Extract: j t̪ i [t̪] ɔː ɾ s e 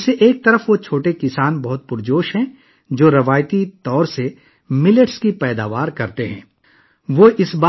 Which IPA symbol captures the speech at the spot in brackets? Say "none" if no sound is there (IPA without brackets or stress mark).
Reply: t̪